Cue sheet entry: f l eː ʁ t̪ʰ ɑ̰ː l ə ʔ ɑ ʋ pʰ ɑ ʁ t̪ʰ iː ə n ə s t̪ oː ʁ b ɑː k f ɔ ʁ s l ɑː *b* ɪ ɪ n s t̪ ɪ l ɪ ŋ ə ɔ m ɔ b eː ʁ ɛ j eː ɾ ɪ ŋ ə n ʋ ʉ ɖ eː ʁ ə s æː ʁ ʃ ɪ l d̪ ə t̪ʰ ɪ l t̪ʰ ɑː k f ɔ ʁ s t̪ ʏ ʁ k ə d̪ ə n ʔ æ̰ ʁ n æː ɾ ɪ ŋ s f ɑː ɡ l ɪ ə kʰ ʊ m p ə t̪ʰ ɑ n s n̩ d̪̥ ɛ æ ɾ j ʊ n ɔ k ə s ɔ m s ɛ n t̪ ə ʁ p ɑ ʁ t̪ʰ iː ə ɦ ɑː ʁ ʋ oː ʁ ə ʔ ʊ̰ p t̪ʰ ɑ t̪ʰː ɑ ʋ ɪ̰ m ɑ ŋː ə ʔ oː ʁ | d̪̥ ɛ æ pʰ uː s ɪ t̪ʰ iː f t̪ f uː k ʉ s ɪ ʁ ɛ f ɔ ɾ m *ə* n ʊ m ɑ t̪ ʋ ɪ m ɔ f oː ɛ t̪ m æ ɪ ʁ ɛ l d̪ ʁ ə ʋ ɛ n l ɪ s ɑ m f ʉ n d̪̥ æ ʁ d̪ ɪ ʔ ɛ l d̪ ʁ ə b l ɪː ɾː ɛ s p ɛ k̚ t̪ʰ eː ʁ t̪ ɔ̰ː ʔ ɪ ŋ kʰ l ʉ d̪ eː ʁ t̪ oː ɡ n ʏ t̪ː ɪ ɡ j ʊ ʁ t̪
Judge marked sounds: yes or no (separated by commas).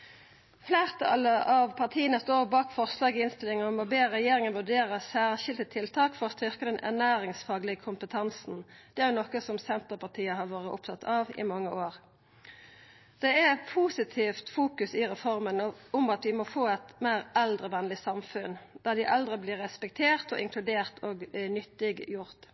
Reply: no, yes